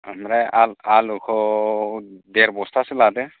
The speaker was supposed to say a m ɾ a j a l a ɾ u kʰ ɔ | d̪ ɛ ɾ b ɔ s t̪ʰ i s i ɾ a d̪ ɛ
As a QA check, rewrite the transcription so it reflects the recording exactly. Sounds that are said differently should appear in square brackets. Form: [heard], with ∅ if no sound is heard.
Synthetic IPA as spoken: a m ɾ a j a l a [l] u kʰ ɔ | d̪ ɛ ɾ b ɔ s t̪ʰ [a] s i [l] a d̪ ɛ